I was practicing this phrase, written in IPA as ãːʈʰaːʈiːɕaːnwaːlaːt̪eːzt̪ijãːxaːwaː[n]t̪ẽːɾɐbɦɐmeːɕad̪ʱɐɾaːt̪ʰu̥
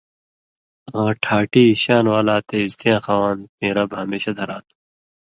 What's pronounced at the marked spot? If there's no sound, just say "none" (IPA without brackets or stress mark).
n